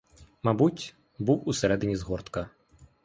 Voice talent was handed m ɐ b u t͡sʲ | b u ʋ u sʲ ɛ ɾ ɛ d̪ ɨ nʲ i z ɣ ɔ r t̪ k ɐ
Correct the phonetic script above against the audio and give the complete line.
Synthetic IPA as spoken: m a b u t͡sʲ | b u w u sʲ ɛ ɾ ɛ d̪ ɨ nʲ i z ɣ ɔ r t̪ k ɐ